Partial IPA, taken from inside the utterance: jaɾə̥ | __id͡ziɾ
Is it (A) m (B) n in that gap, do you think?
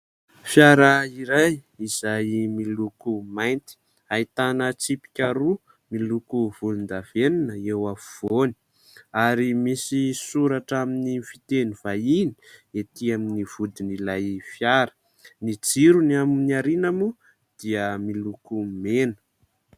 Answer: B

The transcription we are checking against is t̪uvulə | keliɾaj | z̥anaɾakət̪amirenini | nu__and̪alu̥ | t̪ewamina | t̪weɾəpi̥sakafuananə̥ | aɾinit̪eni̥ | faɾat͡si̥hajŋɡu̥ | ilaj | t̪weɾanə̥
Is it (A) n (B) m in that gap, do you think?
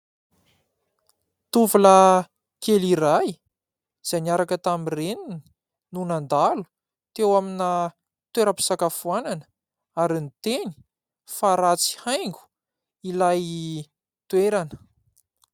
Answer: A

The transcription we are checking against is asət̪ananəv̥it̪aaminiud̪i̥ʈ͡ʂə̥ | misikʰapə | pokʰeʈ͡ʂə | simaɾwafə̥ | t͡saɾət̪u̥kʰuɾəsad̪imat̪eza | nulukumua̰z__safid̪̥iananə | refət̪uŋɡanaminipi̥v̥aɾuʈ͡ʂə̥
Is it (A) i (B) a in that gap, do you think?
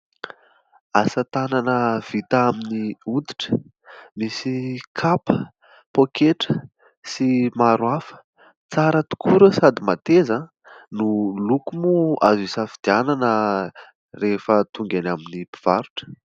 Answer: A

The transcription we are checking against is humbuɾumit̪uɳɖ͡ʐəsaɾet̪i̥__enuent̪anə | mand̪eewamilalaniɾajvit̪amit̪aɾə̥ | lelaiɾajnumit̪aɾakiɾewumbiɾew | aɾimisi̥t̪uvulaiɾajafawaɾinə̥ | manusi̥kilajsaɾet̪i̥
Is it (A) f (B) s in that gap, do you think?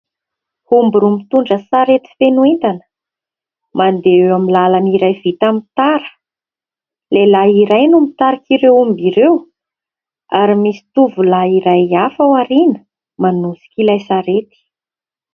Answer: A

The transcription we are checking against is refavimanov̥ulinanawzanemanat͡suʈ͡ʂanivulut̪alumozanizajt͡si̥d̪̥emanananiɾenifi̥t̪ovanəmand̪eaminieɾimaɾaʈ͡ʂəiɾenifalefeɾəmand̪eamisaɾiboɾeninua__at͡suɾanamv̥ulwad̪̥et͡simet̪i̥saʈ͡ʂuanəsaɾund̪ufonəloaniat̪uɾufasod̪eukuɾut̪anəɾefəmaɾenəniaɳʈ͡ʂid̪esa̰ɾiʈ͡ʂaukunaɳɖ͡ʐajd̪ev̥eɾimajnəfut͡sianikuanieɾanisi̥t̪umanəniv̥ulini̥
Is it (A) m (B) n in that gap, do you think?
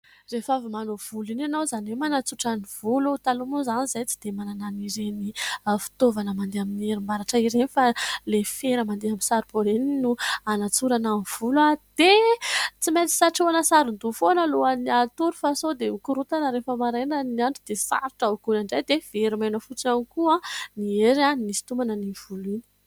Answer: B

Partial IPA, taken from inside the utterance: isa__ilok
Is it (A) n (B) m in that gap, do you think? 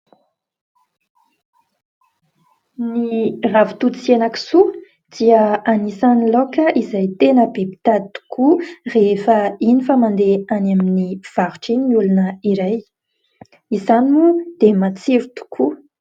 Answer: A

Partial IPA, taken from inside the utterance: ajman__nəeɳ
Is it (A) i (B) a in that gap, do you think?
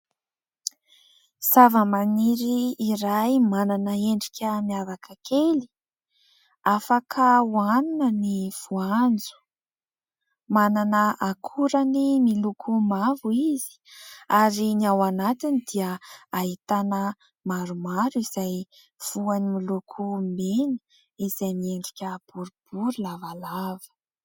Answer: B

